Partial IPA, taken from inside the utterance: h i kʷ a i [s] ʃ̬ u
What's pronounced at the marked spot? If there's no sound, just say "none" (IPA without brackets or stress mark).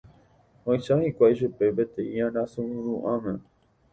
none